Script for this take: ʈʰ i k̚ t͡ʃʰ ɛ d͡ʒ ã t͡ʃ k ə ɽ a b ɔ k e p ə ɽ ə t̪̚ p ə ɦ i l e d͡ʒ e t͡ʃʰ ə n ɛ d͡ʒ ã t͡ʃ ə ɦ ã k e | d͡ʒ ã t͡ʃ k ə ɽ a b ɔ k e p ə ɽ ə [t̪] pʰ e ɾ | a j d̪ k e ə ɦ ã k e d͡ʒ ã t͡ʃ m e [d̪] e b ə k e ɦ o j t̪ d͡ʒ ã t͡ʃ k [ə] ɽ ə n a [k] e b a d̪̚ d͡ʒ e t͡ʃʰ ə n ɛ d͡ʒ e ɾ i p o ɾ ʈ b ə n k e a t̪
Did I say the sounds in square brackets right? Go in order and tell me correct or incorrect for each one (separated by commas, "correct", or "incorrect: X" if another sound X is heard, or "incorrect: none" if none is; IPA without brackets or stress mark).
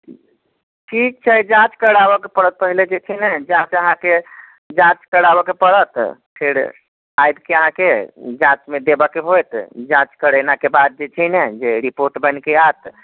correct, correct, correct, correct